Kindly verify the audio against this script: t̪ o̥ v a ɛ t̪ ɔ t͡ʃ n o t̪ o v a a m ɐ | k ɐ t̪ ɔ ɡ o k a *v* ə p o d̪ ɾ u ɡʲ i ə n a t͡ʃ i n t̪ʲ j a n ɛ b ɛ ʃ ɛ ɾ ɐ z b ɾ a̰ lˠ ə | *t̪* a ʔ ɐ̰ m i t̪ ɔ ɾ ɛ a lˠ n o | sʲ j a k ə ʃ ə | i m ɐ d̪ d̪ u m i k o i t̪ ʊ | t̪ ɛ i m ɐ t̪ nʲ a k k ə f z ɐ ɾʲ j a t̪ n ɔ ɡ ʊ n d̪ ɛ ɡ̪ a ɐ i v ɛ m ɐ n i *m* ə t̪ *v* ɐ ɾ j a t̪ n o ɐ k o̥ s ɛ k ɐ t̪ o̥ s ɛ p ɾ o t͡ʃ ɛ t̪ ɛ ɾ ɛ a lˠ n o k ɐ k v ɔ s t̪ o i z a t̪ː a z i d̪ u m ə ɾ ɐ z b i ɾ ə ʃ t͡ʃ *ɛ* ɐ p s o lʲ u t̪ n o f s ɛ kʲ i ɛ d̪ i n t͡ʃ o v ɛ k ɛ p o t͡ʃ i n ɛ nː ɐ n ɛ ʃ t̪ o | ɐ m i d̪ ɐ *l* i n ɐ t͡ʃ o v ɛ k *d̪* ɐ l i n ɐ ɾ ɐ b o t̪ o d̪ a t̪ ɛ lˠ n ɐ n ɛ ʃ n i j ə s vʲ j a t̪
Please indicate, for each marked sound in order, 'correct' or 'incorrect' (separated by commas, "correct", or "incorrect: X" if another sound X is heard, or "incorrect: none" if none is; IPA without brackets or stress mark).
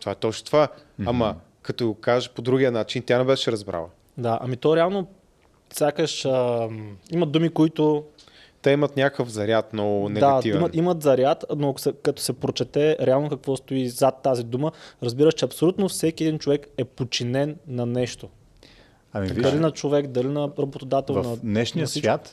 incorrect: ʒ, incorrect: d̪, correct, incorrect: z, correct, correct, correct